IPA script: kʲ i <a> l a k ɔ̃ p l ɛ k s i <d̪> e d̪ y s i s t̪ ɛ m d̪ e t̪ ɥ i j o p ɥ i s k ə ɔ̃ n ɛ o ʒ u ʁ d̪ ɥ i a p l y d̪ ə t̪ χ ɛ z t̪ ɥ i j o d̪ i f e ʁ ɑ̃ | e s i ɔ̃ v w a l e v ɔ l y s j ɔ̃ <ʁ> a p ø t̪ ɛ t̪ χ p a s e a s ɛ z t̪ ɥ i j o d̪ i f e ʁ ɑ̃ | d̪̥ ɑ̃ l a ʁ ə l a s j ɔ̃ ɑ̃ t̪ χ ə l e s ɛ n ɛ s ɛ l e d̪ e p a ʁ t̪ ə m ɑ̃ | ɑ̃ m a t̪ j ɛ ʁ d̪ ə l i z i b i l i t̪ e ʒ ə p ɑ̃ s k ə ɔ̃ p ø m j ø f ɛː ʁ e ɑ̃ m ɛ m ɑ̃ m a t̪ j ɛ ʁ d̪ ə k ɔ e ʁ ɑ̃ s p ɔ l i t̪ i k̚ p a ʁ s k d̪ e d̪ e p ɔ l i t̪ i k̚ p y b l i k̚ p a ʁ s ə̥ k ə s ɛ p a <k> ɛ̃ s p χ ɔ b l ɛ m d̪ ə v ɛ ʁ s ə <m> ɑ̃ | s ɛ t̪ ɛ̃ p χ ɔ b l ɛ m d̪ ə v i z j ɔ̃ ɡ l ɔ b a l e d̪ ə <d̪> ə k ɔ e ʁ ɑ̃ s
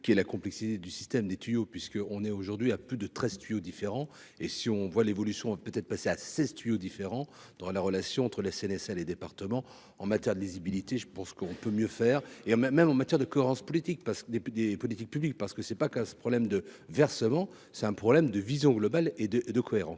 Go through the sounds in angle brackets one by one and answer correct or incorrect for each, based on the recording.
incorrect: ɛ, incorrect: t̪, incorrect: v, correct, correct, correct

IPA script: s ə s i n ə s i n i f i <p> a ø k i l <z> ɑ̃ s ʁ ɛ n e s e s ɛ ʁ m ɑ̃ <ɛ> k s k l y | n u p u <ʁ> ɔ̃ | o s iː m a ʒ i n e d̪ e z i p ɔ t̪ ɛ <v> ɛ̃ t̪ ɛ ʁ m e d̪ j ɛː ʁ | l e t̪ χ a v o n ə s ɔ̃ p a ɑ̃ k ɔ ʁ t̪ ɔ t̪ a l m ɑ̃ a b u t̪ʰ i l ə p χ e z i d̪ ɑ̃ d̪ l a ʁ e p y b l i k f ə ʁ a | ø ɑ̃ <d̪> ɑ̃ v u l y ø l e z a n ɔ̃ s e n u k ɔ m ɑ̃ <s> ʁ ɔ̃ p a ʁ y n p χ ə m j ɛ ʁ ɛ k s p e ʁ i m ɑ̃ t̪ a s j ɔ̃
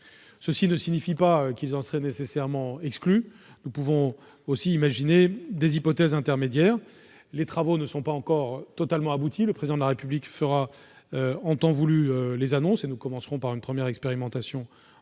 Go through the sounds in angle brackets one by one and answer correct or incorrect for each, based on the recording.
correct, correct, correct, incorrect: v, incorrect: z, incorrect: t̪, correct

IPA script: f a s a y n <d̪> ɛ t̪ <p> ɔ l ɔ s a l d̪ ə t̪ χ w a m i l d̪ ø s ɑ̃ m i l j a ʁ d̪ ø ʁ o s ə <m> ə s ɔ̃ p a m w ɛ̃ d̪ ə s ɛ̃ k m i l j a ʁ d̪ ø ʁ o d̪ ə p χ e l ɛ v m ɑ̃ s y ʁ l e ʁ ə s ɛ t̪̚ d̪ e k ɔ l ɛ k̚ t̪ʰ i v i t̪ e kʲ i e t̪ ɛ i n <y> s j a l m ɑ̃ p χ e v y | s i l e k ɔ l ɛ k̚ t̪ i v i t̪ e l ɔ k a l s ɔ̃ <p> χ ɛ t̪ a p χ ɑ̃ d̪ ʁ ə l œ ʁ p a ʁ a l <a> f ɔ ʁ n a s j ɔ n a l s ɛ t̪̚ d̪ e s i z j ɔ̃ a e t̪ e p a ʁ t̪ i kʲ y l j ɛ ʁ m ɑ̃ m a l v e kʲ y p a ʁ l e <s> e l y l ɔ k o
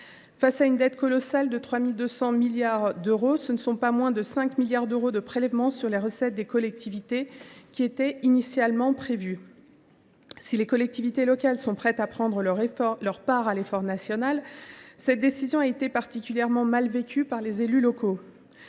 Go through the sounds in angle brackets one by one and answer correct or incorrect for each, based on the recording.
correct, incorrect: k, incorrect: n, incorrect: i, correct, incorrect: e, incorrect: z

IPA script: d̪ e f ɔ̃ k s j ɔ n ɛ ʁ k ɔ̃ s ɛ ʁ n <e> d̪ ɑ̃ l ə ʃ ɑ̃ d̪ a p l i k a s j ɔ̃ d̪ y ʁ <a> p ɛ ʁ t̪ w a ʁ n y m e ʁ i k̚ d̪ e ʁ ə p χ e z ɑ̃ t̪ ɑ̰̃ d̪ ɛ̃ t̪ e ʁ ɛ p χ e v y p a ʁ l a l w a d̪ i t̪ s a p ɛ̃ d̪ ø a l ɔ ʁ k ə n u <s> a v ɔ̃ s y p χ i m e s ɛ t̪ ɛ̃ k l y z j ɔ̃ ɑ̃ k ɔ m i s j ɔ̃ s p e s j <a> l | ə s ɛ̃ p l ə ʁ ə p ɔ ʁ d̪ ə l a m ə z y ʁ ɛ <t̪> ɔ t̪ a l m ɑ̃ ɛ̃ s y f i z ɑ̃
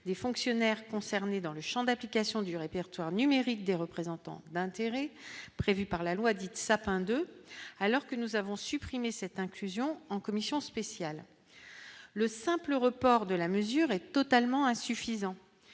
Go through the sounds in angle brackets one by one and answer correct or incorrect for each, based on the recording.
correct, incorrect: e, incorrect: z, correct, correct

